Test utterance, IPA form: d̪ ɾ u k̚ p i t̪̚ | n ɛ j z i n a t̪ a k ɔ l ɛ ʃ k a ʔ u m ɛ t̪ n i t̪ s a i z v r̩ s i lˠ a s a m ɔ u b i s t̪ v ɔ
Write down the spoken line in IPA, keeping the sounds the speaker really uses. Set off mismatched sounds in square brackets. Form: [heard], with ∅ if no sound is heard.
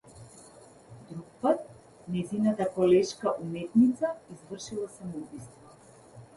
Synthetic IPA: d̪ ɾ u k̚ p [a] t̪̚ | n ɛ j z i n a t̪ a k ɔ l ɛ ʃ k a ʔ u m ɛ t̪ n i t̪ s a i z v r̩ [ʃ] i lˠ a s a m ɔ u b i s t̪ v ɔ